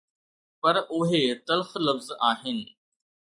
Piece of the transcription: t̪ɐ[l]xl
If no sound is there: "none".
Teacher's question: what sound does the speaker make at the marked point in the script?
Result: l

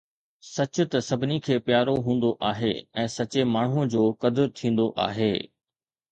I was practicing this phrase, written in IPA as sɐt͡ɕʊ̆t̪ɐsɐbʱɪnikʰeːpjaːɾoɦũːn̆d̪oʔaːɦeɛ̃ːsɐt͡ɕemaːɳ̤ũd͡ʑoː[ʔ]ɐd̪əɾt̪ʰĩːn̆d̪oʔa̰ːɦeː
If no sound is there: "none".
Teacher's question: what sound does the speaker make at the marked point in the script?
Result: k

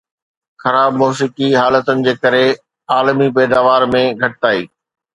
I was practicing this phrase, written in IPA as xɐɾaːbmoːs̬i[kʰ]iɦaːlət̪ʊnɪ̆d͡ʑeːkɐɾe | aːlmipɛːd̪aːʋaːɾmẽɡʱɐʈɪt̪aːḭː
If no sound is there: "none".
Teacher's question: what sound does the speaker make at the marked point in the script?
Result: k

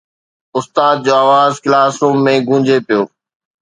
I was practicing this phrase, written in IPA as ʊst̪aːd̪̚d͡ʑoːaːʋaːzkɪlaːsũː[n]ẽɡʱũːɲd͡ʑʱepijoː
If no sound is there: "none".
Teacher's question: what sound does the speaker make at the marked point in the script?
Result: m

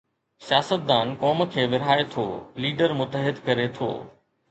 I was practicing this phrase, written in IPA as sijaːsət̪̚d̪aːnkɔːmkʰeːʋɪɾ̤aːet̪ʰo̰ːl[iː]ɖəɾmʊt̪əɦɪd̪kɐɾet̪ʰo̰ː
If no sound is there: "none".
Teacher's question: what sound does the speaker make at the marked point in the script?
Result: iː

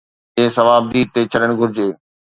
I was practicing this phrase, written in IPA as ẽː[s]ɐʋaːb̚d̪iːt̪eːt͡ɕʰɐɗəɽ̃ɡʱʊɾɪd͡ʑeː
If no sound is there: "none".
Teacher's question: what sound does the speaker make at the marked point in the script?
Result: s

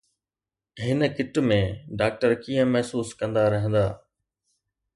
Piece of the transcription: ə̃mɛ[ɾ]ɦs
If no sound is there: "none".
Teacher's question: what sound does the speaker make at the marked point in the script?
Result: none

